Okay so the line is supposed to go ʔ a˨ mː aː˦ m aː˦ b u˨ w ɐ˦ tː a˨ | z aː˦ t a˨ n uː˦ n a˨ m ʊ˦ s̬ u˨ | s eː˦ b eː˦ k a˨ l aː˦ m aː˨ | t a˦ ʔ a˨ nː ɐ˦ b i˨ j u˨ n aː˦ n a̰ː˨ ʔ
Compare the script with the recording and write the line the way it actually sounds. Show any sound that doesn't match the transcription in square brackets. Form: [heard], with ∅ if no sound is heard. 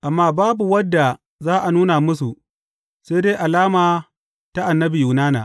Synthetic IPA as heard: ʔ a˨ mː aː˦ [b] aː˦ b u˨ w ɐ˦ [dː] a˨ | z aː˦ [ʔ] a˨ n uː˦ n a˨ m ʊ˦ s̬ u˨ | s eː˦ [d] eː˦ [ʔ] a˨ l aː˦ m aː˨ | t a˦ ʔ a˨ nː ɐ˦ b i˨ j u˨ n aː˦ n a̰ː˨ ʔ